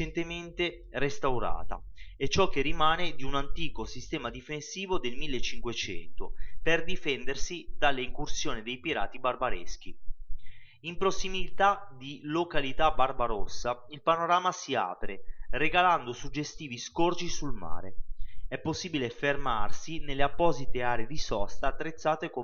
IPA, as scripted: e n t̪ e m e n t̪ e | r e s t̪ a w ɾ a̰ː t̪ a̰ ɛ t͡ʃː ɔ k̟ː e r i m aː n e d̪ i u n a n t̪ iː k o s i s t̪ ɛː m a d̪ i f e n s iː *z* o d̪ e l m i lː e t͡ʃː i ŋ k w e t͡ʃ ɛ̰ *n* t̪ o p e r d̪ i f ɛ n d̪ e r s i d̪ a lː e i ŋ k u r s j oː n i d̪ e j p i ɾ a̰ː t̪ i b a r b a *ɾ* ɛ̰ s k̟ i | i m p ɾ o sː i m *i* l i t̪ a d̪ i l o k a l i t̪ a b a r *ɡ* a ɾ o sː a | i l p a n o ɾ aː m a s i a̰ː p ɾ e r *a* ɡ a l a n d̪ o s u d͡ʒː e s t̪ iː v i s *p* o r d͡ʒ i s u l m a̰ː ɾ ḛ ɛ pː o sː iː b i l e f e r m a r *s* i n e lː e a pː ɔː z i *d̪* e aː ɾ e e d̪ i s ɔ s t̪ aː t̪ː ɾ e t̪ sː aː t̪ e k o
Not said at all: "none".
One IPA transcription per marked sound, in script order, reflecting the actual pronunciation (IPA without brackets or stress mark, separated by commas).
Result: v, n, ɾ, i, b, e, k, s, t̪